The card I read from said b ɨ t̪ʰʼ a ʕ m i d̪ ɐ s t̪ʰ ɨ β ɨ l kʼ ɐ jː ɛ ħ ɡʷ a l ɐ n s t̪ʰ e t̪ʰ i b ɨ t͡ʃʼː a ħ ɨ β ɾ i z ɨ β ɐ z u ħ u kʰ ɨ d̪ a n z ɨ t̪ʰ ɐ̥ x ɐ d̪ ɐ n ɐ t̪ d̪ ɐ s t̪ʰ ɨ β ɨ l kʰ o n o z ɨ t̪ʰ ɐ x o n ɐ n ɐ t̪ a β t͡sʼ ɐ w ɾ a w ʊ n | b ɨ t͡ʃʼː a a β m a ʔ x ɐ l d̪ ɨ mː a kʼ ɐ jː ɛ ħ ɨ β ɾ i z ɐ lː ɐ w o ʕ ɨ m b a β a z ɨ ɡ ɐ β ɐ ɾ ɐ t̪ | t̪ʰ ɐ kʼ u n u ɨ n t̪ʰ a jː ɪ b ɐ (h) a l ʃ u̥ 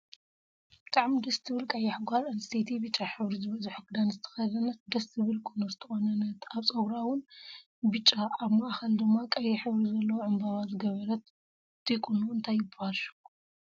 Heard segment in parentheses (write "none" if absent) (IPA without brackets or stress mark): h